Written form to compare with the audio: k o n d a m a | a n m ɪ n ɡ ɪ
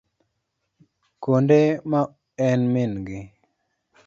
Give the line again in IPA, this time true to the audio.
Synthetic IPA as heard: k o n d e m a | ɛ n m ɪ n ɡ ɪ